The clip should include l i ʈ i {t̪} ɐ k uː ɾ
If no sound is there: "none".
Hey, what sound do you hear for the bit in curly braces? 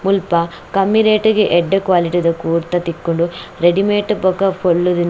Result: d̪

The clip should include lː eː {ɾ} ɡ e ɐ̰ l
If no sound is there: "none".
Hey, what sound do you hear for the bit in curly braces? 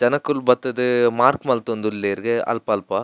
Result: ɾ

